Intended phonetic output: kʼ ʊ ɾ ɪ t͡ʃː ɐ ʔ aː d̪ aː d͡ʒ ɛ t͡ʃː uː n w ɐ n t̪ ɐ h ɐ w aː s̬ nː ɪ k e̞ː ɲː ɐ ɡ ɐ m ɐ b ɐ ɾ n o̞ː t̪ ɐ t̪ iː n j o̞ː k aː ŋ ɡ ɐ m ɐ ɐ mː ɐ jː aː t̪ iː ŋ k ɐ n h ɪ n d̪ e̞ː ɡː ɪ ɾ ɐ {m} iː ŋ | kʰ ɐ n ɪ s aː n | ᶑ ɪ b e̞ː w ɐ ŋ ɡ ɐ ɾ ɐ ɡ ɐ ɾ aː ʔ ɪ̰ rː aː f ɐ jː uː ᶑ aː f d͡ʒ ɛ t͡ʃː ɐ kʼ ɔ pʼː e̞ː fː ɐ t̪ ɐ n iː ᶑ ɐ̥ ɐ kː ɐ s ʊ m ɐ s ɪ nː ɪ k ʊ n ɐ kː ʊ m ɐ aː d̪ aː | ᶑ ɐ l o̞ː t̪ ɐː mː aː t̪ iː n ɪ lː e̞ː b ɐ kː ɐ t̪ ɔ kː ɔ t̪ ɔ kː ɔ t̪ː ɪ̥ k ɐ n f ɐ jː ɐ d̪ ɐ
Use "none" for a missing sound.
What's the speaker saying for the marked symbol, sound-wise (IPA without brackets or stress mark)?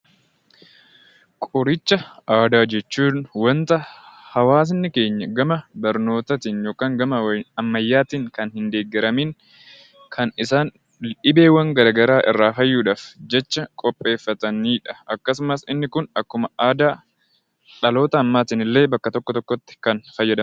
m